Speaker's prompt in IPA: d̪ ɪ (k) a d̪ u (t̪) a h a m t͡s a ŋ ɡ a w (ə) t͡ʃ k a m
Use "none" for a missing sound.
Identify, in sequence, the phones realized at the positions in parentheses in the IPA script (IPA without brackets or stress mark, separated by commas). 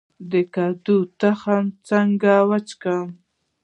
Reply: k, t̪, a